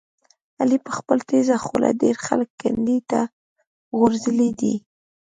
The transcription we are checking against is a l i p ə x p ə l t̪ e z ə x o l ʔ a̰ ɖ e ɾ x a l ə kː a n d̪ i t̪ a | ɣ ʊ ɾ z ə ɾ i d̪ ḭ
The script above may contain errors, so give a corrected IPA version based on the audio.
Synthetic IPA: a l i p ə x p ə l t̪ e z a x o l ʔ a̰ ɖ e ɾ x a l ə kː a n d̪ i t̪ a | ɣ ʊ ɾ z ə l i d̪ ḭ